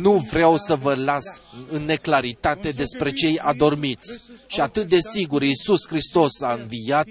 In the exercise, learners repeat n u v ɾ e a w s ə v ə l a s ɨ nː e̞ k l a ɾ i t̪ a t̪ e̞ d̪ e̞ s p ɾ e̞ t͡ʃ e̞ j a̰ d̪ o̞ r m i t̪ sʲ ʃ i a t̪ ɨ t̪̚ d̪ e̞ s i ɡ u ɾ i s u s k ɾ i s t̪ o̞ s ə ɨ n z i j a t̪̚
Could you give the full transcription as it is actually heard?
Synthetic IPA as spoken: n u v ɾ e a w s ə v ə l a s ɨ nː e̞ k l a ɾ i t̪ a t̪ e̞ d̪ e̞ s p ɾ e̞ t͡ʃ e̞ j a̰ d̪ o̞ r m i t̪ sʲ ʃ i a t̪ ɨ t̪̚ d̪ e̞ s i ɡ u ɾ i s u s k ɾ i s t̪ o̞ s a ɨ n v i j a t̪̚